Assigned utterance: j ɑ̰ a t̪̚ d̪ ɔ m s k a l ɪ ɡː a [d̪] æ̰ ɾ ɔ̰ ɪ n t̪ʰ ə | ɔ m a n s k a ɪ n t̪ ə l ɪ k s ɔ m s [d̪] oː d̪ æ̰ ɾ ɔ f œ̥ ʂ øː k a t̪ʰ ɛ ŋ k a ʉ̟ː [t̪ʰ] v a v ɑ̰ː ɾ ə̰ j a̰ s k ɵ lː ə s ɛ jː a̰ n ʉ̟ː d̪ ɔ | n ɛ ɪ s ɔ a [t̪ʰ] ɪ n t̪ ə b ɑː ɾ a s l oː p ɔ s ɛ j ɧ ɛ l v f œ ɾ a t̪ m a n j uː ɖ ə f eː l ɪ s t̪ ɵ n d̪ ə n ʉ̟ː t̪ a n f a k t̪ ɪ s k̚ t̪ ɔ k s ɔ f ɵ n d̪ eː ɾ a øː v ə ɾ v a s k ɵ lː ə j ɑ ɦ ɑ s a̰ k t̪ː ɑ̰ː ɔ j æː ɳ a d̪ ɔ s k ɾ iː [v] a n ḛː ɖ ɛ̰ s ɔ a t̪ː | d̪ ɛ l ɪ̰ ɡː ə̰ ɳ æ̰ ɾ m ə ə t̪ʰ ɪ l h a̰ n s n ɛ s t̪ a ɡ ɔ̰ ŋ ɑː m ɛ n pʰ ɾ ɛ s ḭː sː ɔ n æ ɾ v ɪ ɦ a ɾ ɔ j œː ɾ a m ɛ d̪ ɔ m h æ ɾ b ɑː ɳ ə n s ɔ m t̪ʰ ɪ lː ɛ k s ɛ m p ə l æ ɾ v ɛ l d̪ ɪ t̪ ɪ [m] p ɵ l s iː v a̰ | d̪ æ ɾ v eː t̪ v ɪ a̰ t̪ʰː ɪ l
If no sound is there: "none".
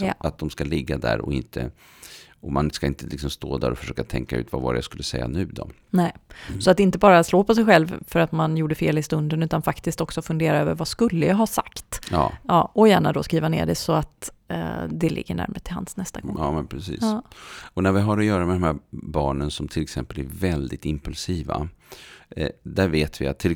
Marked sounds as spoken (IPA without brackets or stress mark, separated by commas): d̪, t̪, t̪, t̪, v, m